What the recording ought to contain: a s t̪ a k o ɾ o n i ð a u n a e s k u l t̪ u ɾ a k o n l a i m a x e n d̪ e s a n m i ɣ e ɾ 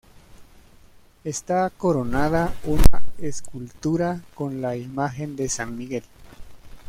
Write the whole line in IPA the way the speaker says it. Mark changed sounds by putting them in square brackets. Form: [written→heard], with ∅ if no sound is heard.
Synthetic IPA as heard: [a→e] s t̪ a k o ɾ o n [i→a] ð a u n a e s k u l t̪ u ɾ a k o n l a i m a x e n d̪ e s a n m i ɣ e [ɾ→l]